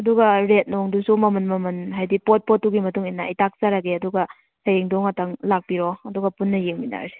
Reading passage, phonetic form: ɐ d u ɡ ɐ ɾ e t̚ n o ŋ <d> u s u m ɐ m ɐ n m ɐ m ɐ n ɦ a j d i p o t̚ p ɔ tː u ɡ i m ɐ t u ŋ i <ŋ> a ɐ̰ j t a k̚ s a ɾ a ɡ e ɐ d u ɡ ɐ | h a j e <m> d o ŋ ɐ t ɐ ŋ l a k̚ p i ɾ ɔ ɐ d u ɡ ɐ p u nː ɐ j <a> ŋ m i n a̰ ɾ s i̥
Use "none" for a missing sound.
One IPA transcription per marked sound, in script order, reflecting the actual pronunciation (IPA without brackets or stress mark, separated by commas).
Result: d, n, ŋ, e